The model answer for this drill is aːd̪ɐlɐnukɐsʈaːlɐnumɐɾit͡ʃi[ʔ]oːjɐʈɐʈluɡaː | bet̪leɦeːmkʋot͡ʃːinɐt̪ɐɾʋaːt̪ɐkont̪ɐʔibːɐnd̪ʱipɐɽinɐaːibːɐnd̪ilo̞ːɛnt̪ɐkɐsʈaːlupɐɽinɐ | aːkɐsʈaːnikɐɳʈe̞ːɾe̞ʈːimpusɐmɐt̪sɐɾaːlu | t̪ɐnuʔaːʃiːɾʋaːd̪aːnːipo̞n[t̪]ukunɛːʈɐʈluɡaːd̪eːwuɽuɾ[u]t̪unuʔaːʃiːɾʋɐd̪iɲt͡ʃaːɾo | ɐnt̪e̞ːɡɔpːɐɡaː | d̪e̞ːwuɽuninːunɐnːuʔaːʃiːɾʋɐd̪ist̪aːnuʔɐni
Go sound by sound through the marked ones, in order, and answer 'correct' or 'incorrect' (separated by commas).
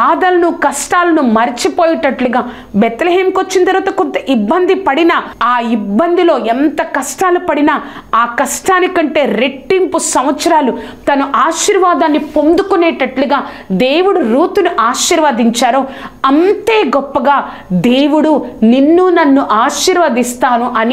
incorrect, incorrect, incorrect